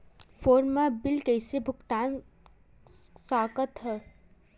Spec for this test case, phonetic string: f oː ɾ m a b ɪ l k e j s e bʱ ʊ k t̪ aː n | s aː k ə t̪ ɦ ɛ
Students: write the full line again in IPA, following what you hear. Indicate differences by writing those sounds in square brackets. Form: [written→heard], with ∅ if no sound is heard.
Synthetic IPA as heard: f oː ɾ m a b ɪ l k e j s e bʱ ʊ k t̪ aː n | s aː k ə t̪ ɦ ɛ